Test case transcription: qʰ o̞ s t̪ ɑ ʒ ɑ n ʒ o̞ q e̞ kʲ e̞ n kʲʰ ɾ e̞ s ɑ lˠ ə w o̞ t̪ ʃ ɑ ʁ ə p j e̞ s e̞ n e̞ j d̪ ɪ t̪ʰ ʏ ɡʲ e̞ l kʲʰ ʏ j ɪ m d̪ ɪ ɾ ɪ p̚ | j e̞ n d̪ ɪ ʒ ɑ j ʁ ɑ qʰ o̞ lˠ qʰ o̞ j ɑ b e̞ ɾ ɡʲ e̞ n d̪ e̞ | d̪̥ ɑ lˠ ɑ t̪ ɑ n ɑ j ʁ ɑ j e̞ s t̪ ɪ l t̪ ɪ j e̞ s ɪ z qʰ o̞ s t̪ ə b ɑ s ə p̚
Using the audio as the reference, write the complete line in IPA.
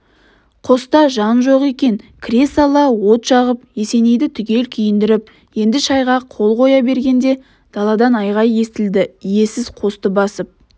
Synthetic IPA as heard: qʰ o̞ s t̪ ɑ ʒ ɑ n ʒ o̞ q e̞ kʲ e̞ n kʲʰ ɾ e̞ s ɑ lˠ ɑ w o̞ t̪ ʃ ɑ ʁ ə p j e̞ s e̞ n e̞ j d̪ ɪ t̪ʰ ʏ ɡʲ e̞ l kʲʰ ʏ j ɪ n d̪ ɪ ɾ ɪ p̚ | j e̞ n d̪ ɪ ʃ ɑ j ʁ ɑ qʰ o̞ lˠ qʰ o̞ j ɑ b e̞ ɾ ɡʲ e̞ n d̪ e̞ | d̪̥ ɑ lˠ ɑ d̪ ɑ n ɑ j ʁ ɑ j e̞ s t̪ ɪ l d̪ ɪ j e̞ s ɪ z qʰ o̞ s t̪ ə b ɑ s ə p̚